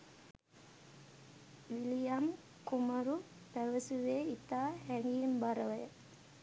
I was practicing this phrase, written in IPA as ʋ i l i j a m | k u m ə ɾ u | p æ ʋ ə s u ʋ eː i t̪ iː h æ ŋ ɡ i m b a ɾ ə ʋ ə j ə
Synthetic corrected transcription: ʋ i l i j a m | k u m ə ɾ u | p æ ʋ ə s u ʋ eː i t̪ aː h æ ŋ ɡ i m b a ɾ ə ʋ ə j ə